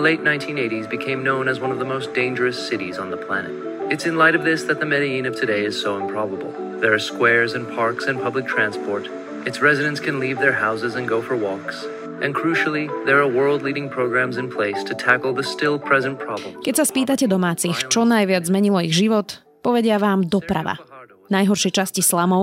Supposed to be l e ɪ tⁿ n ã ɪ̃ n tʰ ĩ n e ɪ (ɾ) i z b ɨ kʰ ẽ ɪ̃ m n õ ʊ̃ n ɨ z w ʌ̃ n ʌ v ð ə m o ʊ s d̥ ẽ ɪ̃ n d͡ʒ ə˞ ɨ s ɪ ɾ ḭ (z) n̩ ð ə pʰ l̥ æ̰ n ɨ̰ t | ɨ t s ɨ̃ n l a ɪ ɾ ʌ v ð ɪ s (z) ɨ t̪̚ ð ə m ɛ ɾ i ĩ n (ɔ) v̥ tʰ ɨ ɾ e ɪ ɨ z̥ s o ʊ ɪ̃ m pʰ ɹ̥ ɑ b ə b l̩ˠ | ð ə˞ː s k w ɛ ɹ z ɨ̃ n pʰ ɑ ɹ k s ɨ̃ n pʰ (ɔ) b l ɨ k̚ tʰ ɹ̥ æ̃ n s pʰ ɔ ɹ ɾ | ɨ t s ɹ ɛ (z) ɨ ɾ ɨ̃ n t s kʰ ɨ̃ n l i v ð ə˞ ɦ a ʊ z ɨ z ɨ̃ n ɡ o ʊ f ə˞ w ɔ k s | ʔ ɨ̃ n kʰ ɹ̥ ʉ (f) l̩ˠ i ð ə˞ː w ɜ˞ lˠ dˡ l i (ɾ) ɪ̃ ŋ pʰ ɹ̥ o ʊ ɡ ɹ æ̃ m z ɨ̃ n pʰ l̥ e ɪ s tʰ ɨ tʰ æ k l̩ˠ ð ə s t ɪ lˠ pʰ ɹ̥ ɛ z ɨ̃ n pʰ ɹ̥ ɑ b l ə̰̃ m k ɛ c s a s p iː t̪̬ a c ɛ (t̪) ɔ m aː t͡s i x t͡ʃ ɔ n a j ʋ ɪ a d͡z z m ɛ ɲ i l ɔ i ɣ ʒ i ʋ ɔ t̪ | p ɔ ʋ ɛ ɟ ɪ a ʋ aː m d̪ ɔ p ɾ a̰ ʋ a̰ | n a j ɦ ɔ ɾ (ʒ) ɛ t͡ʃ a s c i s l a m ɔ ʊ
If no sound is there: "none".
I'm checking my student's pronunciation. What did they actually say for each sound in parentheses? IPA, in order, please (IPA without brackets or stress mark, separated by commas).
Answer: ɾ, z, ð, ʌ, ʌ, z, ʃ, ɾ, d̪, ʃ